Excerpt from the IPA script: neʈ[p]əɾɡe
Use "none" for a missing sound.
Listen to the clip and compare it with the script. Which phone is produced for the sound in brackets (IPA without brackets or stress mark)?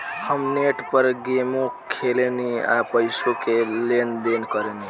p